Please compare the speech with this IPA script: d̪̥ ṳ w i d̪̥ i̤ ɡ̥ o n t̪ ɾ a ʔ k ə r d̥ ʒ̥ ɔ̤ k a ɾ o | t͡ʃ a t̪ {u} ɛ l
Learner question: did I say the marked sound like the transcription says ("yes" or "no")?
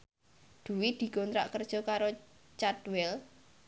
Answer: no